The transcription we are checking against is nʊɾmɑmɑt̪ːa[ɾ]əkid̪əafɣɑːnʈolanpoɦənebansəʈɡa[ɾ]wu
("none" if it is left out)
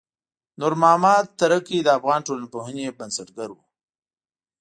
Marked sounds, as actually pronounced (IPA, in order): ɾ, ɾ

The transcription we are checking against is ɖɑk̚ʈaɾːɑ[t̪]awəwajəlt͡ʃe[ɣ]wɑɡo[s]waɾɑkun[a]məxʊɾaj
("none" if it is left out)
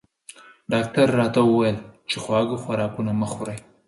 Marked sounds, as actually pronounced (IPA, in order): t̪, x, x, a

